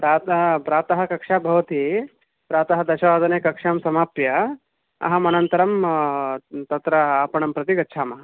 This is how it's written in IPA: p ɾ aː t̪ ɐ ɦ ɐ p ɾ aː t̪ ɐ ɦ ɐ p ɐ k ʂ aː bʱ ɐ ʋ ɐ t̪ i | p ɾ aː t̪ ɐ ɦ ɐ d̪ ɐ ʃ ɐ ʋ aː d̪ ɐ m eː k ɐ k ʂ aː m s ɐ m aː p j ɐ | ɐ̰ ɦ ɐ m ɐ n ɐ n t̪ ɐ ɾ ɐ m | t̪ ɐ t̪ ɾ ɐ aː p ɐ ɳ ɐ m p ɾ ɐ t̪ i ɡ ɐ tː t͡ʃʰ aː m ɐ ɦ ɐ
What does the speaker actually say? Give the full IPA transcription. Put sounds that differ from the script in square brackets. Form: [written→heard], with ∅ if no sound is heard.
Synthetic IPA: p ɾ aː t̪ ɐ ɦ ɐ p ɾ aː t̪ ɐ ɦ ɐ [p→k] ɐ k ʂ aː bʱ ɐ ʋ ɐ t̪ i | p ɾ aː t̪ ɐ ɦ ɐ d̪ ɐ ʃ ɐ ʋ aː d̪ ɐ [m→n] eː k ɐ k ʂ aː m s ɐ m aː p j ɐ | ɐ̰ ɦ ɐ m ɐ n ɐ n t̪ ɐ ɾ ɐ m | t̪ ɐ t̪ ɾ ɐ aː p ɐ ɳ ɐ m p ɾ ɐ t̪ i ɡ ɐ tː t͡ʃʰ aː m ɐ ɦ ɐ